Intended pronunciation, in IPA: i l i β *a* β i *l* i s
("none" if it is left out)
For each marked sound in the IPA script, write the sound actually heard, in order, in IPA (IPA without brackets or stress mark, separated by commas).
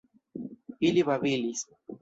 a, l